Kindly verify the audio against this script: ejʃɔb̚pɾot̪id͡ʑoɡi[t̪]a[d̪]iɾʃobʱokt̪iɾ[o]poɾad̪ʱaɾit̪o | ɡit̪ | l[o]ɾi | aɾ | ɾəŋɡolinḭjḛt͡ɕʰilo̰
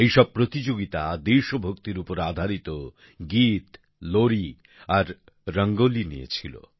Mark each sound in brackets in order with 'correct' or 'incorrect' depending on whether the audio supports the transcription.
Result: correct, correct, incorrect: u, correct

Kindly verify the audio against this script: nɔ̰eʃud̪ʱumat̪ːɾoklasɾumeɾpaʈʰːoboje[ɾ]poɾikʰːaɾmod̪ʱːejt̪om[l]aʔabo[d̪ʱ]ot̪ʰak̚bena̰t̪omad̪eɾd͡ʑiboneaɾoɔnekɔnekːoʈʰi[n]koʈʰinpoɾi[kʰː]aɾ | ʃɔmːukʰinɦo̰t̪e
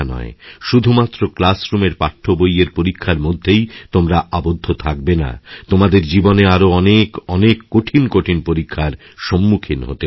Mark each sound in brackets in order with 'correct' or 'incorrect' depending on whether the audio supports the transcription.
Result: correct, incorrect: ɾ, incorrect: d̪ʱː, correct, correct

